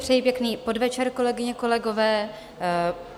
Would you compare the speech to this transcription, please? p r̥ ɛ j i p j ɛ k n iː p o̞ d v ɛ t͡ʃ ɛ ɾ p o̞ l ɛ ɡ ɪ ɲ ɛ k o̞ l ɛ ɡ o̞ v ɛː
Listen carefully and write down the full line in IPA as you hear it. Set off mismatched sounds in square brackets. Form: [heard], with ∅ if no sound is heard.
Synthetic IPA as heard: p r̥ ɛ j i p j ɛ k n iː p o̞ d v ɛ t͡ʃ ɛ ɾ [k] o̞ l ɛ ɡ ɪ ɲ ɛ k o̞ l ɛ ɡ o̞ v ɛː